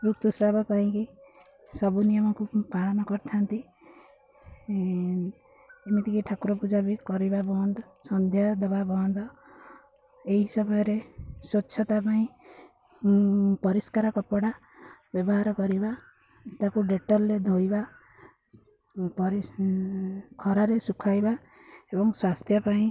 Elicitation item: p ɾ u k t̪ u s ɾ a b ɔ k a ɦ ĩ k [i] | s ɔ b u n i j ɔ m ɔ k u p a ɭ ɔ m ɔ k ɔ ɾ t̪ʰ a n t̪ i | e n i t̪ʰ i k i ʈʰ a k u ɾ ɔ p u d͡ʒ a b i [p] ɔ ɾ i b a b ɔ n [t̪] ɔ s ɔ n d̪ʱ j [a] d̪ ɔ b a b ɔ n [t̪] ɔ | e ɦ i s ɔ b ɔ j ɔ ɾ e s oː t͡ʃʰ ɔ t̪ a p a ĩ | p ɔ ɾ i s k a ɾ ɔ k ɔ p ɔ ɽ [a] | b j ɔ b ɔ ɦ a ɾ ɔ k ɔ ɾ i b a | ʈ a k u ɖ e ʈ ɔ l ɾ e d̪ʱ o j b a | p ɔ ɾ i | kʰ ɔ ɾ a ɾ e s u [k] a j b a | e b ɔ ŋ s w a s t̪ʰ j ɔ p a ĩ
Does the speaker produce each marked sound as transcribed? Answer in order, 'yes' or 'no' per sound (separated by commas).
yes, no, no, yes, no, yes, no